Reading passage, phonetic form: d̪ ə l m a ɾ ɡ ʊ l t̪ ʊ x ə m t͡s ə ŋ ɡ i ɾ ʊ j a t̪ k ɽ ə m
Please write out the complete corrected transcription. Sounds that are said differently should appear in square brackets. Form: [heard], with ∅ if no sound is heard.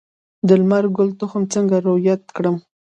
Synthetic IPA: d̪ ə l m a ɾ ɡ ʊ l t̪ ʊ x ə m t͡s ə ŋ ɡ [a] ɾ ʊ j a t̪ k ɽ ə m